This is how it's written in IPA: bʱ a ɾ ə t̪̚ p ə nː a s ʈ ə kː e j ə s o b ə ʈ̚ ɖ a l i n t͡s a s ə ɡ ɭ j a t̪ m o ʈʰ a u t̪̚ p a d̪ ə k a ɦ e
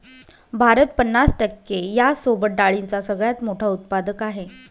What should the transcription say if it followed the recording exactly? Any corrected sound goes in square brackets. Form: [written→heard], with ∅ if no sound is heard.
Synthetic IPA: bʱ a ɾ ə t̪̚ p ə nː a s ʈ ə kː e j [ə→a] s o b ə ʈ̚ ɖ a [l→ɭ] i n t͡s a s ə ɡ ɭ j a t̪ m o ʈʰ a u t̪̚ p a d̪ ə k a ɦ e